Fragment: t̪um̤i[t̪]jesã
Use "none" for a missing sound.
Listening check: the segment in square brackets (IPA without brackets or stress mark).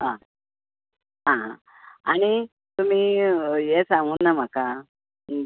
none